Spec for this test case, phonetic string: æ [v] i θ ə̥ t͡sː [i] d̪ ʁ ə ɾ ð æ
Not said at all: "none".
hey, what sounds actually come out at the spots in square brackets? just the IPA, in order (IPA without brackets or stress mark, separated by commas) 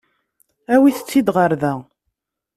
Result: w, i